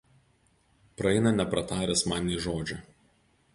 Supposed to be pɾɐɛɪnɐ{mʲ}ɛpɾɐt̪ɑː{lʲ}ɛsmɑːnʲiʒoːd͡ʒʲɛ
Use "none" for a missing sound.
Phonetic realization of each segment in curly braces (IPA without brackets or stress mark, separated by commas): nʲ, ɾʲ